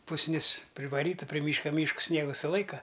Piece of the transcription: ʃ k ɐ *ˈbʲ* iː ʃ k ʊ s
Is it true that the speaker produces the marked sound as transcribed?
no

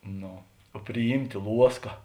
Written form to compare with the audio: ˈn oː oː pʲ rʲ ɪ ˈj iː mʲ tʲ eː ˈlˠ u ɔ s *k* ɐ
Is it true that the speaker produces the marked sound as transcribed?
yes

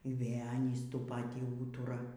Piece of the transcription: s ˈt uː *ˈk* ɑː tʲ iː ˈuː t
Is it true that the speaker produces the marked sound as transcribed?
no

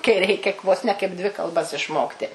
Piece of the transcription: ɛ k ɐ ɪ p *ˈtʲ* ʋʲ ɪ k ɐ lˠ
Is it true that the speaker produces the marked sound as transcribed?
no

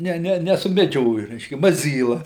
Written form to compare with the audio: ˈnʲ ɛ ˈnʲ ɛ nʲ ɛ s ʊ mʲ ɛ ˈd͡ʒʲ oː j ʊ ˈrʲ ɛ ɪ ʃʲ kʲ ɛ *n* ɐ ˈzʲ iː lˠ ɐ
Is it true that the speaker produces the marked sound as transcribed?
no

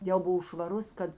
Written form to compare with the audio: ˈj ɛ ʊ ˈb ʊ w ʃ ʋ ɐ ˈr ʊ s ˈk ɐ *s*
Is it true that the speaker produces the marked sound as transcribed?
no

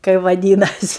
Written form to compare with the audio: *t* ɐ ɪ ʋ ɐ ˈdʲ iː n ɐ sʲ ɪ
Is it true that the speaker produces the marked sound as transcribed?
no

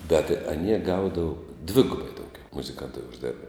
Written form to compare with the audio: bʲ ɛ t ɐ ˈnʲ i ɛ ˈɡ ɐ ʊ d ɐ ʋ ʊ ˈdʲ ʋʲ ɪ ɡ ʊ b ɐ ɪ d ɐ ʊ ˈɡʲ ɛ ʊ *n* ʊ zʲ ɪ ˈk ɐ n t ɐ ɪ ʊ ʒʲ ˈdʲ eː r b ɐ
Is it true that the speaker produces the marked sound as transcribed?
no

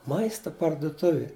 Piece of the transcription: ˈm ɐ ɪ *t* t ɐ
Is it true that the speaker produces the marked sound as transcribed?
no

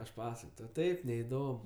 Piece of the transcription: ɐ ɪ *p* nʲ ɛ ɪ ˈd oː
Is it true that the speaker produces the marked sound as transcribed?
yes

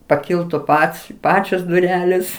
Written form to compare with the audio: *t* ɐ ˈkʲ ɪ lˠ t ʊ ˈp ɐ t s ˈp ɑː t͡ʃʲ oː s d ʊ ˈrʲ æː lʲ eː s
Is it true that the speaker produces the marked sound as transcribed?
no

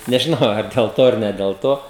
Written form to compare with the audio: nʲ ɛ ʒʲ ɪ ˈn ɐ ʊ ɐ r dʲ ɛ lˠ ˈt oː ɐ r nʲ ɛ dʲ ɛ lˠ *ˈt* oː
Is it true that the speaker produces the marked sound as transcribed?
yes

